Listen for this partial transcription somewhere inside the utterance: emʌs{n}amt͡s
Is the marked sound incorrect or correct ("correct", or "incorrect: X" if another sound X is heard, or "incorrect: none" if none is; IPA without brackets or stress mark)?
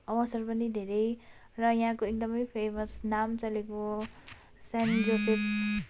correct